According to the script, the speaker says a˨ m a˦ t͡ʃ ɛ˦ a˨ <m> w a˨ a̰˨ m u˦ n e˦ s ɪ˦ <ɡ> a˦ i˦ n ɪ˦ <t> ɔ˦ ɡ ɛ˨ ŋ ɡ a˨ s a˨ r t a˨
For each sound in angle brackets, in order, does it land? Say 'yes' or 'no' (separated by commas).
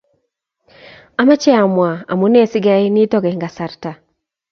yes, yes, yes